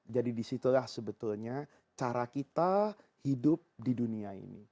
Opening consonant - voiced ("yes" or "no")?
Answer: yes